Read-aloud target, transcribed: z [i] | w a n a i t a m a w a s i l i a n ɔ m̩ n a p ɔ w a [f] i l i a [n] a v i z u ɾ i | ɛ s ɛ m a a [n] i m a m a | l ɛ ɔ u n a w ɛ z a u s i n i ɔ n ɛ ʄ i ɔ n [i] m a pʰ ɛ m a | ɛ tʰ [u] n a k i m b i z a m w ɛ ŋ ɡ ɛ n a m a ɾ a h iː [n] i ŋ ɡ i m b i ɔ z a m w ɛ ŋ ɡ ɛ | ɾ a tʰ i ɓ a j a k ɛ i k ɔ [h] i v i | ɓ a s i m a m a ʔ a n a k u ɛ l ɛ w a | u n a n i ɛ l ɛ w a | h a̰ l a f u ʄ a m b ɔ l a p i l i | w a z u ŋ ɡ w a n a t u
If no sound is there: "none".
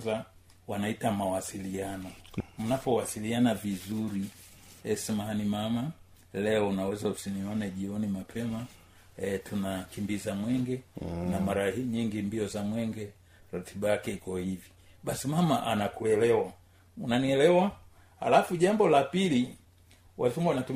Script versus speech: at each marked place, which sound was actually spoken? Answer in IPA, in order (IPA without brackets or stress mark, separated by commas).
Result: a, s, n, n, i, u, ɲ, h